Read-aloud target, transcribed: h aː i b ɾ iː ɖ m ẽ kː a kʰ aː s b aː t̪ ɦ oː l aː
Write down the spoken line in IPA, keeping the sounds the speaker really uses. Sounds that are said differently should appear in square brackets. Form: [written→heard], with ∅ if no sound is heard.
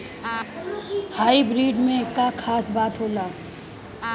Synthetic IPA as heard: h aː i b ɾ iː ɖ m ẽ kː a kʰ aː s b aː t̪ ɦ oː l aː